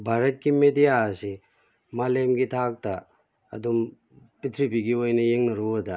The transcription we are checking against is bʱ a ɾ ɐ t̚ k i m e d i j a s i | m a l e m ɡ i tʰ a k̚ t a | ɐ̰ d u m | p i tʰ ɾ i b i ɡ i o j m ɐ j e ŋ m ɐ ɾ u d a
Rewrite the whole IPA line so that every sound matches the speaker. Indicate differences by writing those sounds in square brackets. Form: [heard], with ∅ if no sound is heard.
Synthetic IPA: bʱ a ɾ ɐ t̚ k i m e d i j a s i | m a l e m ɡ i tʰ a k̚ t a | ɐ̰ d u m | p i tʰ ɾ i b i ɡ i o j [n] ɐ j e ŋ [n] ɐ ɾ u d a